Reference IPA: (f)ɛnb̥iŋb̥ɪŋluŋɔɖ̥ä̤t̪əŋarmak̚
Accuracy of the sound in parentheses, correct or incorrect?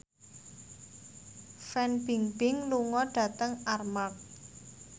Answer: correct